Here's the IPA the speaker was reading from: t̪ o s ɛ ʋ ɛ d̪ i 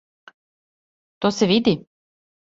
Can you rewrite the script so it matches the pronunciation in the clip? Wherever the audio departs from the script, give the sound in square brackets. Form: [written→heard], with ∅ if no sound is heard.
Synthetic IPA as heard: t̪ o s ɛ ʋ [ɛ→i] d̪ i